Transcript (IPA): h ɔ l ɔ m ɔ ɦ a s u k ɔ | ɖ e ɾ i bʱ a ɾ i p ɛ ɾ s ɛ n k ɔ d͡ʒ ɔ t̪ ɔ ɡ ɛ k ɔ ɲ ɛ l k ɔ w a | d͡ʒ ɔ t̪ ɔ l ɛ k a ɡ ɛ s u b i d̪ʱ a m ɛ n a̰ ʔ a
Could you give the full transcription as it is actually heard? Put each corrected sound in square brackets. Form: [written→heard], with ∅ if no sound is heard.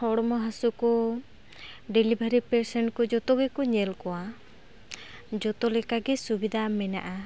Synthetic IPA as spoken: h ɔ [l→ɽ] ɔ m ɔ ɦ a s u k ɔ | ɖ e [ɾ→l] i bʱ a ɾ i p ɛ ɾ s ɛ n k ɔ d͡ʒ ɔ t̪ ɔ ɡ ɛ k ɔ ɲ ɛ l k ɔ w a | d͡ʒ ɔ t̪ ɔ l ɛ k a ɡ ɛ s u b i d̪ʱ a m ɛ n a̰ ʔ a